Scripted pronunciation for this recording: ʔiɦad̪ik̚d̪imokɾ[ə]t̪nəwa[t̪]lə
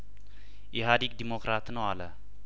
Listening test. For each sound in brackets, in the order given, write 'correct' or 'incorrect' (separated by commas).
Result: incorrect, incorrect